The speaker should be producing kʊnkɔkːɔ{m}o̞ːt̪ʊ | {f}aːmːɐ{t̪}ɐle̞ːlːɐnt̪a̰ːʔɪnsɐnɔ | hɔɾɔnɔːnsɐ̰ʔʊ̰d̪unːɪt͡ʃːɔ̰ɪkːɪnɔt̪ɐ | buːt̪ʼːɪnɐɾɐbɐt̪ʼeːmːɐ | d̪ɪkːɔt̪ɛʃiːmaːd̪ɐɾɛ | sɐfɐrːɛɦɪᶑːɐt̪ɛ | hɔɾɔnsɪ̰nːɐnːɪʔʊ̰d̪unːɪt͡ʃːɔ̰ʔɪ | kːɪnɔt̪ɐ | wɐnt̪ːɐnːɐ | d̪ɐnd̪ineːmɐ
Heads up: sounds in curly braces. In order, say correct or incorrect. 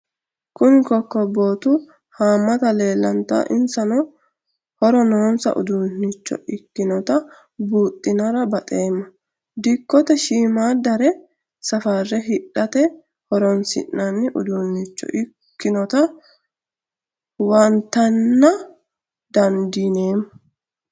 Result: incorrect: b, incorrect: h, correct

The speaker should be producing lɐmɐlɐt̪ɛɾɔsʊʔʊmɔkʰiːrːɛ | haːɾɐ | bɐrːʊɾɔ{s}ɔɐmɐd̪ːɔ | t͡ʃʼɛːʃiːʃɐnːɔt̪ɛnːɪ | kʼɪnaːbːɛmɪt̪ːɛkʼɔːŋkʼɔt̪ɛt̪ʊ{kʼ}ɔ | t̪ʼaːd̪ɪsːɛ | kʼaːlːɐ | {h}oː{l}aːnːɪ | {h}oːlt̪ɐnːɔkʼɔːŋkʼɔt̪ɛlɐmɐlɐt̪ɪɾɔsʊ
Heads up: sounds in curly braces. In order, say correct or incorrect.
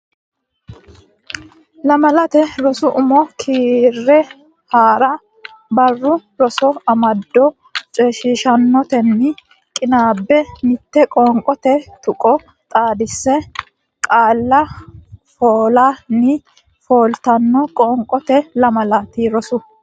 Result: correct, correct, incorrect: f, correct, incorrect: f

